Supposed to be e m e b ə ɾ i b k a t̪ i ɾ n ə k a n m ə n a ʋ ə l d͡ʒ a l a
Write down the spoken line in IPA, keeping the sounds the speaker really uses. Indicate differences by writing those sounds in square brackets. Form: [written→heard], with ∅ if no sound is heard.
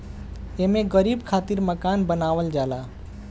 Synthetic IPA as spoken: e m e [b→ɡ] ə ɾ i b [k→kʰ] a t̪ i ɾ [n→m] ə k a n [m→b] ə n a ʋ ə l d͡ʒ a l a